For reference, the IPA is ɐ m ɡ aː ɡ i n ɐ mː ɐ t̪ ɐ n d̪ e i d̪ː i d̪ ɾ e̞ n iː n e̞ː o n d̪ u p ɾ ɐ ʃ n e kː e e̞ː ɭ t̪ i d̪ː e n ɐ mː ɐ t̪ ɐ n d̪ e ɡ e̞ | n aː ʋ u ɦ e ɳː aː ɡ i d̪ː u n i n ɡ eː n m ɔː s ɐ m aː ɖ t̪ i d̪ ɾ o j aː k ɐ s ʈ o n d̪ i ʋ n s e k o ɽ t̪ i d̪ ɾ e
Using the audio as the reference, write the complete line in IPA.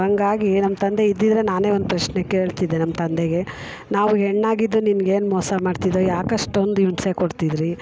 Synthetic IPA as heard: ɐ ŋ ɡ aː ɡ i n ɐ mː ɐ t̪ ɐ n d̪ e i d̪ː i d̪ ɾ e̞ n aː n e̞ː o n d̪ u p ɾ ɐ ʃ n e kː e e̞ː ɭ t̪ i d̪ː e n ɐ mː ɐ t̪ ɐ n d̪ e ɡ e̞ | n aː ʋ u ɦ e ɳː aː ɡ i d̪ː u n i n ɡ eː n m ɔː s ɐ m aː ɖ t̪ i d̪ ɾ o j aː k ɐ ʂ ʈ o n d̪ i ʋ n s e k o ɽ t̪ i d̪ ɾ i

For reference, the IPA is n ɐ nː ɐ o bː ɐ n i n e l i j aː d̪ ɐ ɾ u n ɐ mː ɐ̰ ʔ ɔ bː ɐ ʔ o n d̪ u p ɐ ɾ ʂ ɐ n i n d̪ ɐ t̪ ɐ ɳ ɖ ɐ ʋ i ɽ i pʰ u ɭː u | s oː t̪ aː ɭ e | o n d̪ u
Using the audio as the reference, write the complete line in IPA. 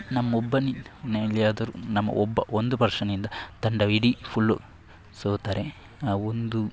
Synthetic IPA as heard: n ɐ mː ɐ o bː ɐ n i n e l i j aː d̪ ɐ ɾ u n ɐ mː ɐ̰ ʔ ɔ bː ɐ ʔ o n d̪ u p ɐ ɾ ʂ ɐ n i n d̪ ɐ t̪ ɐ ɳ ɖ ɐ ʋ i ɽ i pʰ u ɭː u | s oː t̪ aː ɾ e | o n d̪ u

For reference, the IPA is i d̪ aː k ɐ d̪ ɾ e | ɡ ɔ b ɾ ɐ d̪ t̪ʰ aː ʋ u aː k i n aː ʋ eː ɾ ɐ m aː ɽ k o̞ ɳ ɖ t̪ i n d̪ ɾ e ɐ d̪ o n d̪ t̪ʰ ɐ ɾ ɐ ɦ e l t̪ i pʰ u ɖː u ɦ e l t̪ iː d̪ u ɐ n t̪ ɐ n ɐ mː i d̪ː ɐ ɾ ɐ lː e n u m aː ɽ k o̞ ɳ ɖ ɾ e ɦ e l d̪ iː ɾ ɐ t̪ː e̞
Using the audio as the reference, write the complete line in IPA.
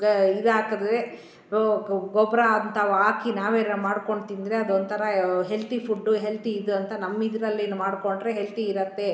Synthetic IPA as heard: i d̪ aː k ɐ d̪ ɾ e | ɡ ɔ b ɾ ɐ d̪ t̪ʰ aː ʋ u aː k i n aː ʋ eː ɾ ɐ m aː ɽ k o̞ ɳ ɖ t̪ i n d̪ ɾ e ɐ d̪ o n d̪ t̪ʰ ɐ ɾ ɐ ɦ e l t̪ i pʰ u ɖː u ɦ e l t̪ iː d̪ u ɐ n t̪ ɐ n ɐ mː i d̪ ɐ ɾ ɐ lː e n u m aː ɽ k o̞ ɳ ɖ ɾ e ɦ e l t̪ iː ɾ ɐ t̪ː e̞

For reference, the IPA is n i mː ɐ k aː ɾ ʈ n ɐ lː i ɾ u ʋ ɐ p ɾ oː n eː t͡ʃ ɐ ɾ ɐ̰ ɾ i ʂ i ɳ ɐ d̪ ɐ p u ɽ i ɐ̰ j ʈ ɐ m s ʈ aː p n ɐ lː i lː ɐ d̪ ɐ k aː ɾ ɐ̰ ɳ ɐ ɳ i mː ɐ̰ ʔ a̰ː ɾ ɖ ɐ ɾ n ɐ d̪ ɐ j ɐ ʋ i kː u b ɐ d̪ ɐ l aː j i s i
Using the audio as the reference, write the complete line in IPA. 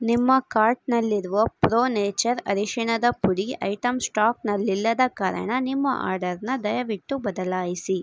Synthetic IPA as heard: n i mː ɐ k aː ɾ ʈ n ɐ lː i ɾ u ʋ ɐ p ɾ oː n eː t͡ʃ ɐ ɾ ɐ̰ ɾ i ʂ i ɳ ɐ d̪ ɐ p u ɽ i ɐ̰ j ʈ ɐ m s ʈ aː k n ɐ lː i lː ɐ d̪ ɐ k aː ɾ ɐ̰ ɳ ɐ n i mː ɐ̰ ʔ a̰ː ɾ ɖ ɐ ɾ n ɐ d̪ ɐ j ɐ ʋ i ʈː u b ɐ d̪ ɐ l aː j i s i

